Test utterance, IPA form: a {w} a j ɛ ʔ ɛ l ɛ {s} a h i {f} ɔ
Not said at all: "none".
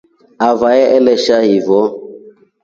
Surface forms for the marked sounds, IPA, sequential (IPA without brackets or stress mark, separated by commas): v, ʃ, v